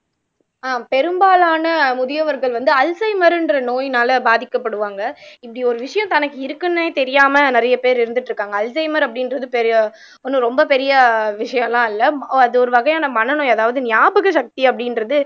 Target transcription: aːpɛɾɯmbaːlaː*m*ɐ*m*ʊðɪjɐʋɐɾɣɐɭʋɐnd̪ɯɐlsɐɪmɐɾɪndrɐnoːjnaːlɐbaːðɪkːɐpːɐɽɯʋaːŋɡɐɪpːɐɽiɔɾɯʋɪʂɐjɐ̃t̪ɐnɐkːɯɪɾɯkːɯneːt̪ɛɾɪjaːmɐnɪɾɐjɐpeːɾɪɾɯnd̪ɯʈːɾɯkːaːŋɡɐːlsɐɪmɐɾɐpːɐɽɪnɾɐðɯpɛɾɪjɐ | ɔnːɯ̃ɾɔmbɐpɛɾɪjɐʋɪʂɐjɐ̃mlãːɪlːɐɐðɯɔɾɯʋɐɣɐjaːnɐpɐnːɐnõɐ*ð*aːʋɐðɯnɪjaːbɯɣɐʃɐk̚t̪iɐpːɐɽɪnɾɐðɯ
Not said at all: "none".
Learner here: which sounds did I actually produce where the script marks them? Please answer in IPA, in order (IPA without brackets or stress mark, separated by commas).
n, m, ð